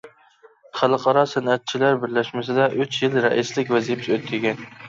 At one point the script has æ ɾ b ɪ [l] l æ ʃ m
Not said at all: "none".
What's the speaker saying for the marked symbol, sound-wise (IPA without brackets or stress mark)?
ɾ